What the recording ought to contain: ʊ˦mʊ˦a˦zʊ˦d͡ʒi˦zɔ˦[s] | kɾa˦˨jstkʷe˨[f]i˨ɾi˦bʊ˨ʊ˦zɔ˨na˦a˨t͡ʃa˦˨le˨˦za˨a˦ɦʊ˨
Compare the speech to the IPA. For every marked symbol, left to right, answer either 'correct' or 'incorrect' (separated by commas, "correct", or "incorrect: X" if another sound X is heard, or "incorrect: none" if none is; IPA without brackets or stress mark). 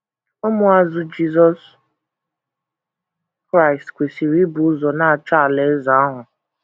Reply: correct, incorrect: s